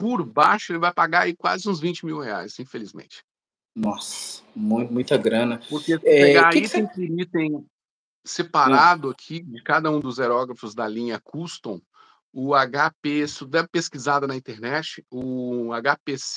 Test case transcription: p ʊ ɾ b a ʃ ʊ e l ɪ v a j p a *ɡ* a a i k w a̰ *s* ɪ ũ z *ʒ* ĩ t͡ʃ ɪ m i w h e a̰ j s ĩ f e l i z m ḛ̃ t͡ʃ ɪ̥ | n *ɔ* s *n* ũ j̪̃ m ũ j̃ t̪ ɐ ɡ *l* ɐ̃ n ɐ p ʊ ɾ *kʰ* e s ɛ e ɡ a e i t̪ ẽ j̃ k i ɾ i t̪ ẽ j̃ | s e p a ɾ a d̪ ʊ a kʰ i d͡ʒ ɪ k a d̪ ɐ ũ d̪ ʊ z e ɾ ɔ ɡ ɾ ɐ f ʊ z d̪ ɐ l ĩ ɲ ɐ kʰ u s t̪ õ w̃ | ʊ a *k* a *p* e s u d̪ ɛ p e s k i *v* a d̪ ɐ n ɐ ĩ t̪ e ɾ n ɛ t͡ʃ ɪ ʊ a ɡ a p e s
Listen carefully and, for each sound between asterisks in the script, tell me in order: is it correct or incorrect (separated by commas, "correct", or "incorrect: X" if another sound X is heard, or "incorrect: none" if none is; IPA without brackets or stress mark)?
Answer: correct, incorrect: z, incorrect: v, correct, incorrect: m, incorrect: ɾ, incorrect: k, incorrect: ɡ, correct, incorrect: z